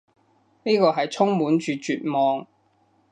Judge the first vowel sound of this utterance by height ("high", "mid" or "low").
high